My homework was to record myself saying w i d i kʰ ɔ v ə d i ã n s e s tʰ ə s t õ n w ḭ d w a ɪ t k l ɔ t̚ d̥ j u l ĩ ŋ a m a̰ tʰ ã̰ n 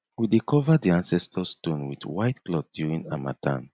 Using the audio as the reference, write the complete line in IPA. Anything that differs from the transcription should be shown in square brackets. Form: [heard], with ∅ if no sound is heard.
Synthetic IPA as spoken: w i d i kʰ ɔ v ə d i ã n s [ɛ] s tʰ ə s t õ n w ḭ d w a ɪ t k l ɔ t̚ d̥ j u [ɹ] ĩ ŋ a m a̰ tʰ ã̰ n